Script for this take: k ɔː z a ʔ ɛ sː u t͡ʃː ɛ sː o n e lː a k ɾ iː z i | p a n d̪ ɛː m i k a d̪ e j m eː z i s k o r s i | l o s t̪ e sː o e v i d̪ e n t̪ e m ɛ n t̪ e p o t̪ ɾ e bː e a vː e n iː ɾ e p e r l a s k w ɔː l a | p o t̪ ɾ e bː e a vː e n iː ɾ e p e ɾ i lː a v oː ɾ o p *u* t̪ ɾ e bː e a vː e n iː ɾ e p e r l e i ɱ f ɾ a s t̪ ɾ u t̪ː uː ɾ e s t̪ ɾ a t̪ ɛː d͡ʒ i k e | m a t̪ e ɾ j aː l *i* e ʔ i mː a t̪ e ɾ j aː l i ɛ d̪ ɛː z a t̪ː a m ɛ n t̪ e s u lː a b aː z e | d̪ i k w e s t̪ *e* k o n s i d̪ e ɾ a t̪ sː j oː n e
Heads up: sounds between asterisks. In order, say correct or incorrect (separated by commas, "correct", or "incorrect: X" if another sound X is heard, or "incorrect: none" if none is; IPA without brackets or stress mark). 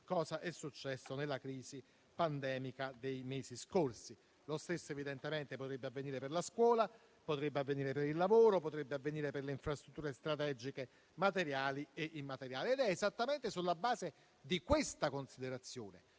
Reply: incorrect: o, correct, incorrect: a